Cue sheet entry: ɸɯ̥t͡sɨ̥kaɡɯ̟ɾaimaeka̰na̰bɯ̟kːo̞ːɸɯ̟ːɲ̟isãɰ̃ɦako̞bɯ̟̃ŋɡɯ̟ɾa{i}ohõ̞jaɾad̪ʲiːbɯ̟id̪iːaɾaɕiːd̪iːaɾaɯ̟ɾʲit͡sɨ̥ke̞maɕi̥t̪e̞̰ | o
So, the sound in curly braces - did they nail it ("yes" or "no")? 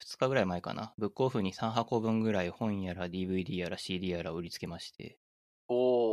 yes